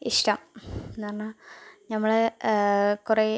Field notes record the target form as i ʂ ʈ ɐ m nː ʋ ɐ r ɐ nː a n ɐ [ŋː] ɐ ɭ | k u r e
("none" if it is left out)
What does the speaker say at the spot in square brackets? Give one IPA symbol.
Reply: mː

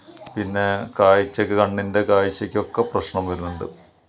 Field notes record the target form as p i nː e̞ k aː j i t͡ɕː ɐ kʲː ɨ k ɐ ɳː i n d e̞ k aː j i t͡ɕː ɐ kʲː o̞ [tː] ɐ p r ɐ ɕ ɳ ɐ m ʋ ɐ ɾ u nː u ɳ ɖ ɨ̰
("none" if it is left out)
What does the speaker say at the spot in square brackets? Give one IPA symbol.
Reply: kː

